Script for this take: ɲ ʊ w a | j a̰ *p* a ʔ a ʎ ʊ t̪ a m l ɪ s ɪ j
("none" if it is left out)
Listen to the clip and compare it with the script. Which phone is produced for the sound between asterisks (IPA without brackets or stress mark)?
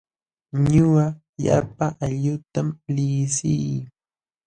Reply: p